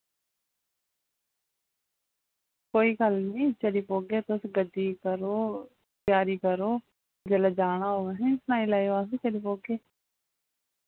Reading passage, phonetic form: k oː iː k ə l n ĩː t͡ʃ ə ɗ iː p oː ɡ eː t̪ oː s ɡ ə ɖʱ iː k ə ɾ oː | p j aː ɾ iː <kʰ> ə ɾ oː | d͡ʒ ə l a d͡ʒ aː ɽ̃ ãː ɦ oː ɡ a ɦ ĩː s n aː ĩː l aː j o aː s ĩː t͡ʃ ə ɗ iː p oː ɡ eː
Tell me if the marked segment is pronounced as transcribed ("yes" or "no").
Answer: no